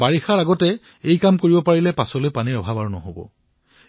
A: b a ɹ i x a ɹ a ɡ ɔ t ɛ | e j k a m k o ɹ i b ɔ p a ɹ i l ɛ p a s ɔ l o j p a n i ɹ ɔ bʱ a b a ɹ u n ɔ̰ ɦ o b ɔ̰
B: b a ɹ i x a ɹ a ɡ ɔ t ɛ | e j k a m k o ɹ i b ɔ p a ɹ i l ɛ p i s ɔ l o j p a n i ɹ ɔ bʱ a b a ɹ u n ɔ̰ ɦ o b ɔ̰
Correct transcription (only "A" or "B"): A